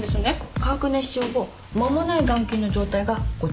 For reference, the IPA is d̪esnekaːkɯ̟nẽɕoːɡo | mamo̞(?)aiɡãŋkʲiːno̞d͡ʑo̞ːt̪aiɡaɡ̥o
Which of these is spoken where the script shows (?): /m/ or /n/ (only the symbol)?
n